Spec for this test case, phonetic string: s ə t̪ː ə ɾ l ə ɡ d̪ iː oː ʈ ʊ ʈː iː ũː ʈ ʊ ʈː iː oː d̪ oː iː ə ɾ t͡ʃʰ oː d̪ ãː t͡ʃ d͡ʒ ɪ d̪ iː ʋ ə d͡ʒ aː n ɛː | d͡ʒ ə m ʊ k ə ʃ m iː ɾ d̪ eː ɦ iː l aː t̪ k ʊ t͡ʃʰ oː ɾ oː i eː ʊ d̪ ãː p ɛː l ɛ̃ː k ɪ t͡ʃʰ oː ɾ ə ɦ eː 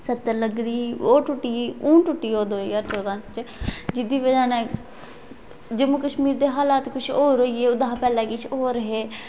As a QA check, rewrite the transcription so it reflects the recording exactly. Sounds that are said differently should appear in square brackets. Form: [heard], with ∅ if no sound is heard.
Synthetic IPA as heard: s ə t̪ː ə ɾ l ə ɡ d̪ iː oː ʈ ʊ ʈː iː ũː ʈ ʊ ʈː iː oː d̪ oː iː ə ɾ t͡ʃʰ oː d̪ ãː t͡ʃ d͡ʒ ɪ d̪ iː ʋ ə d͡ʒ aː n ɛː | d͡ʒ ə m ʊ k ə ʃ m iː ɾ d̪ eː ɦ [aː] l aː t̪ k ʊ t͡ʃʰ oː ɾ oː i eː ʊ d̪ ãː p ɛː l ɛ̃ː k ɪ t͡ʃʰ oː ɾ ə ɦ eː